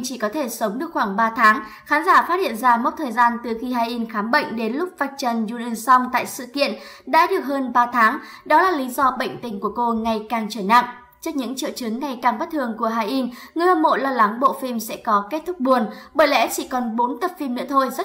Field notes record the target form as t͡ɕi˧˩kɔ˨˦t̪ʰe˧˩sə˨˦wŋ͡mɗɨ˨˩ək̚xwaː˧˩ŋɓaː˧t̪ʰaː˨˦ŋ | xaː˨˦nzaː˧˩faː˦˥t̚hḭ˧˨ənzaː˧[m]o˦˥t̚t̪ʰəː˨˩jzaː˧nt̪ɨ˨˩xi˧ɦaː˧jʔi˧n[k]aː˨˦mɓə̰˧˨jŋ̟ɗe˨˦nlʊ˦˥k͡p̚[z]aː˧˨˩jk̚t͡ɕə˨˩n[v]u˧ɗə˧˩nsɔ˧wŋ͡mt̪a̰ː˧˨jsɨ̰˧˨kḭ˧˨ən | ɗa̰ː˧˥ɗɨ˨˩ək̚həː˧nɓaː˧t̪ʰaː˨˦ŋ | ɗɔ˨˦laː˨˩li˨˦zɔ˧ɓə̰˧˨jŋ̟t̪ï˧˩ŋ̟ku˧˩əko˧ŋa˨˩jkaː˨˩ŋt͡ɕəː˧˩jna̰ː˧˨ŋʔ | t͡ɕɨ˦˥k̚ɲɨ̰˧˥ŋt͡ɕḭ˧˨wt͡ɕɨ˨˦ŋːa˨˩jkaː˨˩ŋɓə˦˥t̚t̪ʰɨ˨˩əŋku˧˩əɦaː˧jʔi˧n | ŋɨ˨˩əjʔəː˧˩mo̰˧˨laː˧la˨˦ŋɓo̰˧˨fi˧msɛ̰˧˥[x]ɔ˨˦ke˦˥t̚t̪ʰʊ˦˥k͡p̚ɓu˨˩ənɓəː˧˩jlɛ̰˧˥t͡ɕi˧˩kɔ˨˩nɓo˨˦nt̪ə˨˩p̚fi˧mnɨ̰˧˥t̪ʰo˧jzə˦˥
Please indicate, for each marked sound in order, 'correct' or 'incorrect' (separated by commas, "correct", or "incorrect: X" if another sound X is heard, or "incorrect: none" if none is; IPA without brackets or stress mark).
correct, incorrect: x, incorrect: v, incorrect: z, incorrect: k